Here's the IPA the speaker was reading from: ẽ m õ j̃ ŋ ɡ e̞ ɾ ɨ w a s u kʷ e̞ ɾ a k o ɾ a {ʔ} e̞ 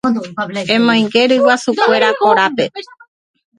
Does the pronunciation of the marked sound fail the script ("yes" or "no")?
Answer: yes